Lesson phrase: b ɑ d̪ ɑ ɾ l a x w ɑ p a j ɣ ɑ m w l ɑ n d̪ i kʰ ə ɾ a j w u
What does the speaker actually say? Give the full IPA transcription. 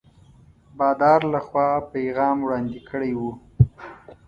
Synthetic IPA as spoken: b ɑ d̪ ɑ ɾ l a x w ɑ p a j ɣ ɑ m w ɽ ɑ n d̪ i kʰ ə ɽ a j w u